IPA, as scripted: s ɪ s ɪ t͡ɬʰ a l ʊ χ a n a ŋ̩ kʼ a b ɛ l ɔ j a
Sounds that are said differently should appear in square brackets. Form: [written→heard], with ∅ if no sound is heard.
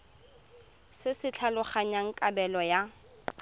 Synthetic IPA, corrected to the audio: s ɪ s ɪ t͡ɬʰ a l ʊ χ a [n→ɲ] a ŋ̩ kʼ a b ɛ l ɔ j a